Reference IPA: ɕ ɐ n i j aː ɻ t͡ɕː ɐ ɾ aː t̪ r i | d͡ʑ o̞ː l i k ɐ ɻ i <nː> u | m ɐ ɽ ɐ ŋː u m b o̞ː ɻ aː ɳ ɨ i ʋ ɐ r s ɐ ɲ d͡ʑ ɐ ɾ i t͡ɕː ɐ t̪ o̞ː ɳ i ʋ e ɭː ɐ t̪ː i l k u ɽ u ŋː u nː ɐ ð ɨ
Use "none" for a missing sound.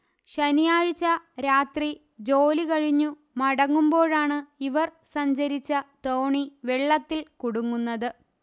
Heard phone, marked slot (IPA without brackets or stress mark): ɲː